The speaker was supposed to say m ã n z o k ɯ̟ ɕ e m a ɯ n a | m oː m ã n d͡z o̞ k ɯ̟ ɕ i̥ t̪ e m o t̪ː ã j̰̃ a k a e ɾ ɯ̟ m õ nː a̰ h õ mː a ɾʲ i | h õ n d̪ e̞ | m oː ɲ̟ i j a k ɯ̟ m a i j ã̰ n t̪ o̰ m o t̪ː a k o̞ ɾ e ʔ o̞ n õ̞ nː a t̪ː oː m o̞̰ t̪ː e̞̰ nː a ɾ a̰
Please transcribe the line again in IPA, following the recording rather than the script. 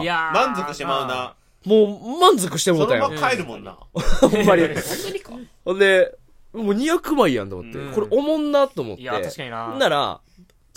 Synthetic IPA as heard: m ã n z o k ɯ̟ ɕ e m a ɯ n a | m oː m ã n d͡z o̞ k ɯ̟ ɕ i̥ t̪ e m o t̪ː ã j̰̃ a k a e ɾ ɯ̟ m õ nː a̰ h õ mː a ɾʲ i | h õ n d̪ e̞ | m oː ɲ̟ i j a k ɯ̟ m a i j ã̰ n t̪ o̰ m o t̪ː e k o̞ ɾ e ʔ o̞ m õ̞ nː a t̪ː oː m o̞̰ t̪ː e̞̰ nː a ɾ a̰